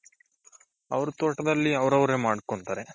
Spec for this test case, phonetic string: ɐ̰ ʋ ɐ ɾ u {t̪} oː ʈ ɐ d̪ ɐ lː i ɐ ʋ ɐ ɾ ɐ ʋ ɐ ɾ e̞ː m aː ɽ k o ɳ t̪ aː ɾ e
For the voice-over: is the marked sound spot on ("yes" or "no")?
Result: yes